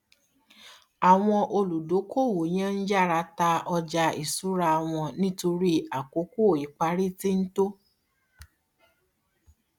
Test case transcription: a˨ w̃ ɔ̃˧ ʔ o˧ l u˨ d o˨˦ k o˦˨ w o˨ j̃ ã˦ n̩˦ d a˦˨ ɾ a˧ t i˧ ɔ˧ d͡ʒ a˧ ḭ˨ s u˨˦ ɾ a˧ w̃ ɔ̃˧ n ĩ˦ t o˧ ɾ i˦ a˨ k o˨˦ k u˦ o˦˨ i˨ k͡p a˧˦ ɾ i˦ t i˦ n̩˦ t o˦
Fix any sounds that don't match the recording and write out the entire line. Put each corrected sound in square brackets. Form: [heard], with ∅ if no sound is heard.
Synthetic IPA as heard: a˨ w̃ ɔ̃˧ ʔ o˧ l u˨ d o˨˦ k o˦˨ w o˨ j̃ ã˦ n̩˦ [d͡ʒ] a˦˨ ɾ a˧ t [a˧] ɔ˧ d͡ʒ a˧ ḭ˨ s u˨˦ ɾ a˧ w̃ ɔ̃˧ n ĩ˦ t o˧ ɾ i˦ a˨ k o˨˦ k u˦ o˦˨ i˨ k͡p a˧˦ ɾ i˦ t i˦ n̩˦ t o˦